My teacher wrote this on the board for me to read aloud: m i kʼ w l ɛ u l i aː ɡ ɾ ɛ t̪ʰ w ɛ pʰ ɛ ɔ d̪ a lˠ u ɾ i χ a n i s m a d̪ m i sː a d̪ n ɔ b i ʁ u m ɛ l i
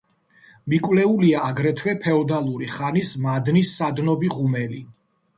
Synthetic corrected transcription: m i kʼ w l ɛ u l i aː ɡ ɾ ɛ t̪ʰ w ɛ pʰ ɛ ɔ d̪ a lˠ u ɾ i χ a n i s m a d̪ n i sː a d̪ n ɔ b i ʁ u m ɛ l i